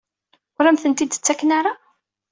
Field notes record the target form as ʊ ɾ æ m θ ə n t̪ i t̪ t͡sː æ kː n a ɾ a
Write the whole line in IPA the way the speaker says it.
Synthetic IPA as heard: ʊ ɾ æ m θ ə n t̪ i d̪ t͡sː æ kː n a ɾ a